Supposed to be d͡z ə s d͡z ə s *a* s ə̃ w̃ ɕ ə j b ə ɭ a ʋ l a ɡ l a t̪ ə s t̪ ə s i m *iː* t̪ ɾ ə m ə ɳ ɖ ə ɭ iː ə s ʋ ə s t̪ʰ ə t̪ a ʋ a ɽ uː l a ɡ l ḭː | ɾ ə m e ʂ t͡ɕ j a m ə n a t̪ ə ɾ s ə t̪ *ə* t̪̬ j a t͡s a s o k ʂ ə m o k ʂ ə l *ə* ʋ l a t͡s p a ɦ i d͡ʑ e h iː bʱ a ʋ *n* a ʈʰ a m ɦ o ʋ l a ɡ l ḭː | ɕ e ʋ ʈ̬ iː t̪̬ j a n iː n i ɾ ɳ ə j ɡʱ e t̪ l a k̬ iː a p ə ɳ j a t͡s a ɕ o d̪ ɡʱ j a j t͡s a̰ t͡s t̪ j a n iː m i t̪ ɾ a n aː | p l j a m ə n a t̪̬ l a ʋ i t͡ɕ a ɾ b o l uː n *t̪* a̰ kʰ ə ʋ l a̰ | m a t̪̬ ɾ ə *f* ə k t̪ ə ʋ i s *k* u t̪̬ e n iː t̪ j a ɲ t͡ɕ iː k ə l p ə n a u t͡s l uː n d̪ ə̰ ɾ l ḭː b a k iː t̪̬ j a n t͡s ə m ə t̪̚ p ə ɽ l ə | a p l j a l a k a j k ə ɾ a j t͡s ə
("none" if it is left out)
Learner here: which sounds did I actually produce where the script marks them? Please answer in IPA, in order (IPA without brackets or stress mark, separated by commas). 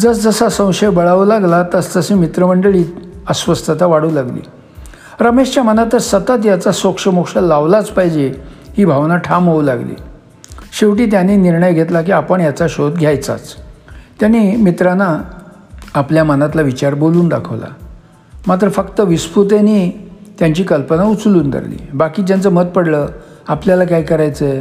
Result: a, i, ə, a, n, d̪, f, p